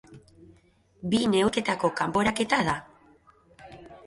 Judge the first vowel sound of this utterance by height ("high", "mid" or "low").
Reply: high